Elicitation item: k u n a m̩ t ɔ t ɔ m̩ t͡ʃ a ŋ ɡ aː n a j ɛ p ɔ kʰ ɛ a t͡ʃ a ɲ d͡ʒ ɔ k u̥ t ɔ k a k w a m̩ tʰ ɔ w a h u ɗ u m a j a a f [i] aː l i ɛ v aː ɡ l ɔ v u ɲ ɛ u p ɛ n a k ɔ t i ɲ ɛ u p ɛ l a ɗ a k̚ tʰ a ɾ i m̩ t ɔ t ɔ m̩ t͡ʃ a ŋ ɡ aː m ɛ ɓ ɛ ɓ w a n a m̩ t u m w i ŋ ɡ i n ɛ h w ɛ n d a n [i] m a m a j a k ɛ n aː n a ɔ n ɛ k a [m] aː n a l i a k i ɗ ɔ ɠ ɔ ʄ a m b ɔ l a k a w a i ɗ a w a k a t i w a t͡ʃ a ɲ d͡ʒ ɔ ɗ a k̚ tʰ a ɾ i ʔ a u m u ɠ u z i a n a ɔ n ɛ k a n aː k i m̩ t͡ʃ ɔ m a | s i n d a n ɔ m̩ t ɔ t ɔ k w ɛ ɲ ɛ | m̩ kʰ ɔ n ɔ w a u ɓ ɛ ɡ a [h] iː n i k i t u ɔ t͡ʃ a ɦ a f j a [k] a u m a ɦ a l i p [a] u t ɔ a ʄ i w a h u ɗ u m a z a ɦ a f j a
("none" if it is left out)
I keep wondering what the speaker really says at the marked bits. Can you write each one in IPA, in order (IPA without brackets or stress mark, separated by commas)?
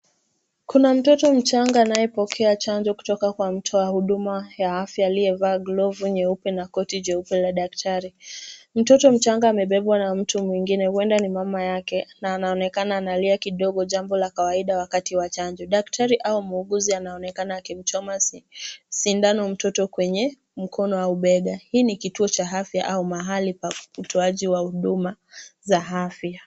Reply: j, i, n, h, ʔ, a